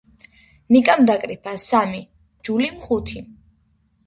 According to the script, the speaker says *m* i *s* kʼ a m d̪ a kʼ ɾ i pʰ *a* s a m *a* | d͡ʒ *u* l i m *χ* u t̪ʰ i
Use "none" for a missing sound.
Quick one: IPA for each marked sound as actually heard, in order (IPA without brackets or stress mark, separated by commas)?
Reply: n, none, a, i, u, χ